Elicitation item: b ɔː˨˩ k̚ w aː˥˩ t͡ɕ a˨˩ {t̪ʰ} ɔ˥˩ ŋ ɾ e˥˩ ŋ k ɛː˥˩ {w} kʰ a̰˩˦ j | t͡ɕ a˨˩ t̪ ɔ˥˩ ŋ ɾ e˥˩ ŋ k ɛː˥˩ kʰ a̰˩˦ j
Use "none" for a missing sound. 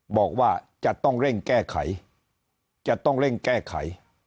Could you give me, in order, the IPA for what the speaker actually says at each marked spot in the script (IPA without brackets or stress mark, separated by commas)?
t̪, none